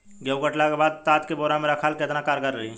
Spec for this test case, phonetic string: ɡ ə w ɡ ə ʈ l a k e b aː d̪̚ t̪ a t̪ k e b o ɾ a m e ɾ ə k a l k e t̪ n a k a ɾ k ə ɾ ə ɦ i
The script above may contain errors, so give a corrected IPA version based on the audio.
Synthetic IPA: ɡ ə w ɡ ə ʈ l a k e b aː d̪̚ t̪ a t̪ k e b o ɾ a m e ɾ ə kʰ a l k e t̪ n a k a ɾ k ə ɾ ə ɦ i